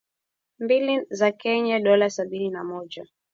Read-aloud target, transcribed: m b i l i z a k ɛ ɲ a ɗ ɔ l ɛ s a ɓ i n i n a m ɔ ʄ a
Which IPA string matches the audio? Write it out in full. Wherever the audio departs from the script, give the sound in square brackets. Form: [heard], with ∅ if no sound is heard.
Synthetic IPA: m b i l i z a k ɛ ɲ a ɗ ɔ l [a] s a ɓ i n i n a m ɔ ʄ a